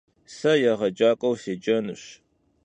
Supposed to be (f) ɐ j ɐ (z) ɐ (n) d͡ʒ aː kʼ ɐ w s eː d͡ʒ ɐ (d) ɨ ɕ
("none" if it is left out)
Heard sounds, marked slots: s, ʁ, none, n

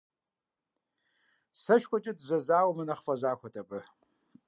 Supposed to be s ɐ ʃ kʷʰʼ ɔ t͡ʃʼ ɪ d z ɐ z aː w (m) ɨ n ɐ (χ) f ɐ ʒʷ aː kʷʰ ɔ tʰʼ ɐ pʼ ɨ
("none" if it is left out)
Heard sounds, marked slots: m, χ

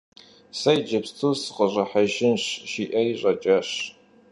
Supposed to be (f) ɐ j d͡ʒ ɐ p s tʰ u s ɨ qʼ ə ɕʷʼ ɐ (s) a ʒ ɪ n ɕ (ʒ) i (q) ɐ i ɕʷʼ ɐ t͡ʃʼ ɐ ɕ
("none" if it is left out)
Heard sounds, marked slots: s, ħ, ʃ, ʔ

